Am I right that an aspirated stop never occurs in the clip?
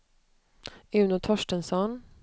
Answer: no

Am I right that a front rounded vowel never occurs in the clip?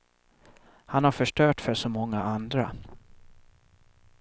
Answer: no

